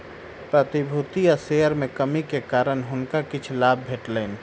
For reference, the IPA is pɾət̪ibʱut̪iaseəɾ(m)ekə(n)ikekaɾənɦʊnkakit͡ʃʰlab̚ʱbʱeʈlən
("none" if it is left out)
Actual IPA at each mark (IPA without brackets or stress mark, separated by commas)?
m, m